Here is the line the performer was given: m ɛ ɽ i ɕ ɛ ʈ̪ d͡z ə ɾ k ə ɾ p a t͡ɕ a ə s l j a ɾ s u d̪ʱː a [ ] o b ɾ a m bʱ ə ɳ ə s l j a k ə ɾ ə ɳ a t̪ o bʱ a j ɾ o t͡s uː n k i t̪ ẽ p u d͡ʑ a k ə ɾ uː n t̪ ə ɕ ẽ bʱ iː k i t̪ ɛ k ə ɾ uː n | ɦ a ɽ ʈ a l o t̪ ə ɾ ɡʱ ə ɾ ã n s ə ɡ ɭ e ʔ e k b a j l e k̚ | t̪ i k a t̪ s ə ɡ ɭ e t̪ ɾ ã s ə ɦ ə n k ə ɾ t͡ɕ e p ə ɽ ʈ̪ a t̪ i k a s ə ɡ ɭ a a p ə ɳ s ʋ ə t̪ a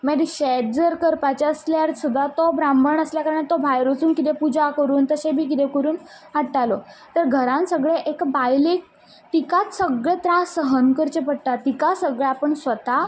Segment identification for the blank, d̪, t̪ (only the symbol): t̪